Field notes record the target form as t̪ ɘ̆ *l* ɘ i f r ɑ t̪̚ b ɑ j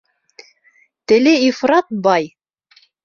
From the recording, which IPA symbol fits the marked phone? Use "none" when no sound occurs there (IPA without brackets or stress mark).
l